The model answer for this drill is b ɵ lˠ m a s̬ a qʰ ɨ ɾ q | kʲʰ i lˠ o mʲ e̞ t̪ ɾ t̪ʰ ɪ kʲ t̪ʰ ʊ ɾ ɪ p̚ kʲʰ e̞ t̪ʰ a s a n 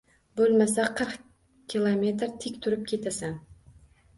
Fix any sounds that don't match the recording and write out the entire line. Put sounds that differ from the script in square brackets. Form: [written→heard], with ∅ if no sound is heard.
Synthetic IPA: b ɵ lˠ m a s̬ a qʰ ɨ ɾ q | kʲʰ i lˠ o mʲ e̞ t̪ ɾ t̪ʰ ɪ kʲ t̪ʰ ʊ ɾ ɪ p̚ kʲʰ e̞ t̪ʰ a s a n